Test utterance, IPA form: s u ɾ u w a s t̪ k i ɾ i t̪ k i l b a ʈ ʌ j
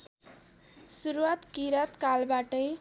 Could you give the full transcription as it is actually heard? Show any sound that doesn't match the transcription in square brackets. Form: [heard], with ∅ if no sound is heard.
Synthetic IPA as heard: s u ɾ u w a [∅] t̪ k i ɾ [a] t̪ k [a] l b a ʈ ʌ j